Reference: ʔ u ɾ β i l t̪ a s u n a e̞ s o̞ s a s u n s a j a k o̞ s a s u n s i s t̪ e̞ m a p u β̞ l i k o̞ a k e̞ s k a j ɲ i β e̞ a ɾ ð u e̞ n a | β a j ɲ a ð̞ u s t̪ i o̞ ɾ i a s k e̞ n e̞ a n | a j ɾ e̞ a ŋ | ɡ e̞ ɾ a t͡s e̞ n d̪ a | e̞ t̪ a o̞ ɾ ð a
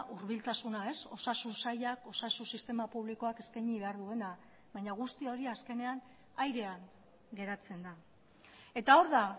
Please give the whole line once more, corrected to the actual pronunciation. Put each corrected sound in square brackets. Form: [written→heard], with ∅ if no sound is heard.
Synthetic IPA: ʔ u ɾ β i l t̪ a s u n a e̞ s o̞ s a s u n s a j a k o̞ s a s u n s i s t̪ e̞ m a p u β̞ l i k o̞ a k e̞ s k a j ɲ i β e̞ a ɾ ð u e̞ n a | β a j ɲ a [ð̞→ɣ̞] u s t̪ i o̞ ɾ i a s k e̞ n e̞ a n | a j ɾ e̞ a ŋ | ɡ e̞ ɾ a t͡s e̞ n d̪ a | e̞ t̪ a o̞ ɾ ð a